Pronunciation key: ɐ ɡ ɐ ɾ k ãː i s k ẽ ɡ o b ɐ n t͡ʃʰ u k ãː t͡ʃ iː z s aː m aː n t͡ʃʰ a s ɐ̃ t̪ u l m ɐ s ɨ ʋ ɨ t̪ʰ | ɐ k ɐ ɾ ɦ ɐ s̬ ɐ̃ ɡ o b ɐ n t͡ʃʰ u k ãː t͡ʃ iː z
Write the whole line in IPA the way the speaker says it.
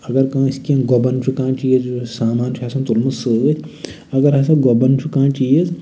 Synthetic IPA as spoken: ɐ ɡ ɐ ɾ k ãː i s k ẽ ɡ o b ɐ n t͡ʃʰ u k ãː t͡ʃ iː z s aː m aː n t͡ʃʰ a s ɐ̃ t̪ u l m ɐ s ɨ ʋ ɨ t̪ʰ | ɐ ɡ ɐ ɾ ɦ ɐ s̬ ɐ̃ ɡ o b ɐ n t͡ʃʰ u k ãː t͡ʃ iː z